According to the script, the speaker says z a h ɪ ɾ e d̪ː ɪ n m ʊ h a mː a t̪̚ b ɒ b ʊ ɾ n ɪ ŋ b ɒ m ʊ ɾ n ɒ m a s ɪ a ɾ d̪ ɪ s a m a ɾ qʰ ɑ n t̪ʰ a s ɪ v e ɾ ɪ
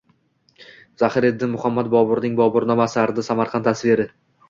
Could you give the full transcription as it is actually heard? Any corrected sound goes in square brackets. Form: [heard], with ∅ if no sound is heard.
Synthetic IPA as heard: z a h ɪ ɾ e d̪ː ɪ n m ʊ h a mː a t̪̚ b ɒ b ʊ ɾ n ɪ ŋ b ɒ [b] ʊ ɾ n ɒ m a s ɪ a ɾ d̪ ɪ s a m a ɾ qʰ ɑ n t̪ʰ a s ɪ v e ɾ ɪ

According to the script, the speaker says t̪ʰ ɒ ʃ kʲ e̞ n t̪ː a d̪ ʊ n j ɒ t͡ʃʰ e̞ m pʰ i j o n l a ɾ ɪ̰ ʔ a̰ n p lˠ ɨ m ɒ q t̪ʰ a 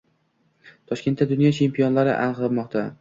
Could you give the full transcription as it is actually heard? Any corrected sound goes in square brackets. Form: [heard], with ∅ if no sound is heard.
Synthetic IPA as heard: t̪ʰ ɒ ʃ kʲ e̞ n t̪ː a d̪ ʊ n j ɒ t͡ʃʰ e̞ m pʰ i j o n l a ɾ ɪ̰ ʔ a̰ n [q] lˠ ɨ m ɒ q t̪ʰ a

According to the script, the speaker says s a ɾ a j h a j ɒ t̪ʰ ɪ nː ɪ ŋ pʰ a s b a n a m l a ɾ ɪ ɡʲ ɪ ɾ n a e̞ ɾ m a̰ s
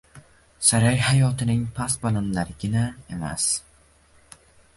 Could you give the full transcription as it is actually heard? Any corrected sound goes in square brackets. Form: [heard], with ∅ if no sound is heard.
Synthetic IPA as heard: s a ɾ a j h a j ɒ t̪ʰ ɪ [n] ɪ ŋ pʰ a s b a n a [n] l a ɾ ɪ ɡʲ ɪ [∅] n a e̞ [∅] m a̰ s

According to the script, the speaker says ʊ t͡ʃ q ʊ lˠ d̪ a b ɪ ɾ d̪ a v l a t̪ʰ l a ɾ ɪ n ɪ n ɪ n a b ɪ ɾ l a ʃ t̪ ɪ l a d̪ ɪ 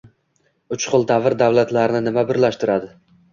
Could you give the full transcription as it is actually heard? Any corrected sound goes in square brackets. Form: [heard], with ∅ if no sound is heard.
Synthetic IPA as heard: ʊ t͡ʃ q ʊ lˠ d̪ a [v] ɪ ɾ d̪ a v l a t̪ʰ l a ɾ ɪ n ɪ n ɪ [m] a b ɪ ɾ l a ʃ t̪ ɪ [ɾ] a d̪ ɪ

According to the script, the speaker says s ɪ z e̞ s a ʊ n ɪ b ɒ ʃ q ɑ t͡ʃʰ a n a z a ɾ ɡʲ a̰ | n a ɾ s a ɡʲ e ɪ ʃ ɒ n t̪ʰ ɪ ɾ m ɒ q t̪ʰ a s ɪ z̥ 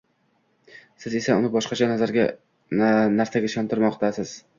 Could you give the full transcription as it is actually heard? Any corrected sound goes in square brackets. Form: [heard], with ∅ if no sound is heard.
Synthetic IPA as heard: s ɪ z e̞ s a ʊ n ɪ b ɒ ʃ q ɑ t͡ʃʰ a n a z a ɾ ɡʲ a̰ | n a ɾ s a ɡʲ [a] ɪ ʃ ɒ n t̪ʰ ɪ ɾ m ɒ q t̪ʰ a s ɪ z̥

